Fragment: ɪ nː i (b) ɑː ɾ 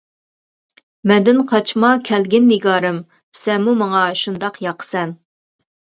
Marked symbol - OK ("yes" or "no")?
no